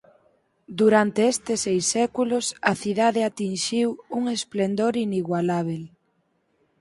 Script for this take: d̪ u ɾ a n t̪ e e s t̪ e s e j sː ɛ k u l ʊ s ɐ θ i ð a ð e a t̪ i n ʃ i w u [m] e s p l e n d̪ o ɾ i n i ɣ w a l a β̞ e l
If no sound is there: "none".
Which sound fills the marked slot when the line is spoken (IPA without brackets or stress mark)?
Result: ŋ